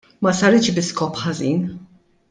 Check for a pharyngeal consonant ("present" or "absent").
present